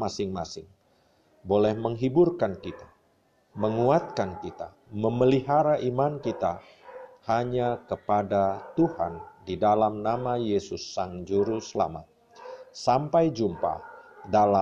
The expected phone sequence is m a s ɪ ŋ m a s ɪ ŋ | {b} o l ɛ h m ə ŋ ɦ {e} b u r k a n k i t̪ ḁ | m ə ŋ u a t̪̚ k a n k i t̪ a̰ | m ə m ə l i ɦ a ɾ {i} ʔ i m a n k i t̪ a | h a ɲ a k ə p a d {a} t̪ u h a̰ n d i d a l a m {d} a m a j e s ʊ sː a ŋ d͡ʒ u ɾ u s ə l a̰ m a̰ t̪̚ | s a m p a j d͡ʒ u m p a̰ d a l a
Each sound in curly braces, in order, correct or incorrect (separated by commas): correct, incorrect, incorrect, correct, incorrect